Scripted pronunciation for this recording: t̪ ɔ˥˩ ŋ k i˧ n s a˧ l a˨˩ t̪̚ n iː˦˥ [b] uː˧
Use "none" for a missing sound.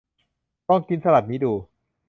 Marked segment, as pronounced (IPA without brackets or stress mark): d